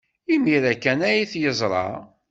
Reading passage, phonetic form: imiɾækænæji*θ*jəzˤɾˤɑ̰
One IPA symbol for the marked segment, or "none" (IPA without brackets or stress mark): θ